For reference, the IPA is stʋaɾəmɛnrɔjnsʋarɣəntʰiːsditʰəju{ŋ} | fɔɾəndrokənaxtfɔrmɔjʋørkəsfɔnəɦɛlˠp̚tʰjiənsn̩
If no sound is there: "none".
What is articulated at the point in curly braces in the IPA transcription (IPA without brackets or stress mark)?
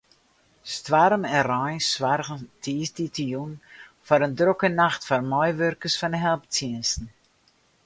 n